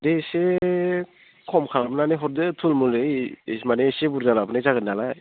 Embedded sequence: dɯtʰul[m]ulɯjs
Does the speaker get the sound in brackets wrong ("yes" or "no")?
no